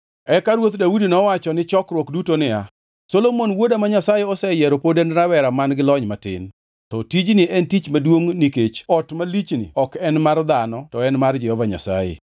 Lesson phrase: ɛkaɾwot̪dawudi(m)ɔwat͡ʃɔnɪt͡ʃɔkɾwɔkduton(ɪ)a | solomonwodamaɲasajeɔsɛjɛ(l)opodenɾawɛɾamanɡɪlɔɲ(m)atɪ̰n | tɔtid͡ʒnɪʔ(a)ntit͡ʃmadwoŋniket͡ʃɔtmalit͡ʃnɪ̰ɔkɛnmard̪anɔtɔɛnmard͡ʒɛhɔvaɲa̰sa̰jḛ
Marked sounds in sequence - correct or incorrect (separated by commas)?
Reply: incorrect, correct, incorrect, correct, incorrect